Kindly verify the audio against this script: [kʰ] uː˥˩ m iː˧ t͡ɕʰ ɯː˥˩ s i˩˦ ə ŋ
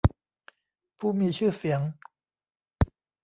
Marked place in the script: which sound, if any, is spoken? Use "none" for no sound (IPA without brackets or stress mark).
pʰ